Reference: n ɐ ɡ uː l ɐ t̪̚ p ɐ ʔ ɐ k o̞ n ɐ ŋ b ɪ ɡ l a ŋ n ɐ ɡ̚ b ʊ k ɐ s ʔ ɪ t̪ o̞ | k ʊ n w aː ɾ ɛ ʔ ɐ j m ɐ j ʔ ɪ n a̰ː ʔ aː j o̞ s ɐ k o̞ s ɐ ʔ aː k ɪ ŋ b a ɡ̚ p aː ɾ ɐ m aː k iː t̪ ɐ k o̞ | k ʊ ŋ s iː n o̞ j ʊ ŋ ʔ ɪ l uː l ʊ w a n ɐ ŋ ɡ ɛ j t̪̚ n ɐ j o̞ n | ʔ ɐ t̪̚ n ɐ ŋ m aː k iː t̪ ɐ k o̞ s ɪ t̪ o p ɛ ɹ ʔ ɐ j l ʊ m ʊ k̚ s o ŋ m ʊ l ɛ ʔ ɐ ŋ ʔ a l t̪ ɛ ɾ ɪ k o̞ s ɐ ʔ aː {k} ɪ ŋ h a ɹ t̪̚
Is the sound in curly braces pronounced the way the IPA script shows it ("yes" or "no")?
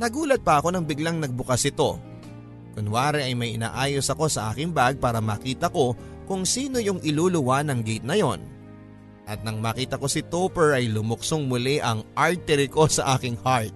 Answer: yes